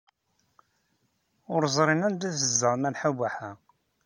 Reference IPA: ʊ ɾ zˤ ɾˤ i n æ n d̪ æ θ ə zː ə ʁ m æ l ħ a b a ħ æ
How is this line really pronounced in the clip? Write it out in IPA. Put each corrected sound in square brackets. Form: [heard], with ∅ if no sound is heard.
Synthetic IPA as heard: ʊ ɾ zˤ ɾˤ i n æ n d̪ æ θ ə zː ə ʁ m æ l ħ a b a ħ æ